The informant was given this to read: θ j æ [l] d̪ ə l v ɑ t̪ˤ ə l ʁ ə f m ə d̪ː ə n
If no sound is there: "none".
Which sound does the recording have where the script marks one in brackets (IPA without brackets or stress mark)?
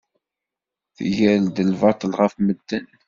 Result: l